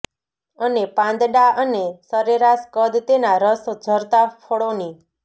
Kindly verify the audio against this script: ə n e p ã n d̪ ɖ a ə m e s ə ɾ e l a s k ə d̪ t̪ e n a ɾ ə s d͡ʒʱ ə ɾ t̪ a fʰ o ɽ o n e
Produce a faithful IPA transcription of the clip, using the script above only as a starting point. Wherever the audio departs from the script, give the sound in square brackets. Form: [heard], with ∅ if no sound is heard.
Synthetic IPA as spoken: ə n e p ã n d̪ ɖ a ə [n] e s ə ɾ e [ɾ] a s k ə d̪ t̪ e n a ɾ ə s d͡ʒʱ ə ɾ t̪ a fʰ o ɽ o n [i]